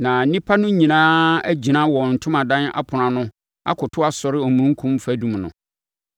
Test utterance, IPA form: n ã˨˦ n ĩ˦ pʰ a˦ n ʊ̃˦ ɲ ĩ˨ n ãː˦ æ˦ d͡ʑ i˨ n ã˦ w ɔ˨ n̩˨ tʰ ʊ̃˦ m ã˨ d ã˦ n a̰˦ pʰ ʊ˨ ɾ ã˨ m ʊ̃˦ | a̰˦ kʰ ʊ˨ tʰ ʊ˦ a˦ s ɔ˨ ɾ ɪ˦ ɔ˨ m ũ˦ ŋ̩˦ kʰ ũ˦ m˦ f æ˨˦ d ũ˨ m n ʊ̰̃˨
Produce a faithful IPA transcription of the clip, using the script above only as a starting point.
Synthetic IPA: n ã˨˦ n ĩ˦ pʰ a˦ n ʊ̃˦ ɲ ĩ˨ n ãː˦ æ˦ d͡ʑ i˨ n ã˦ w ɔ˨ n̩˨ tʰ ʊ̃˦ m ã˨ d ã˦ n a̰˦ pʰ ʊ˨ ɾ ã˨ n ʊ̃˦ | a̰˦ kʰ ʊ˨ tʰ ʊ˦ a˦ s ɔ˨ ɾ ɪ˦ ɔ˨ m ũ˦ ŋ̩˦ kʰ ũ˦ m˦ f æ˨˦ d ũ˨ m n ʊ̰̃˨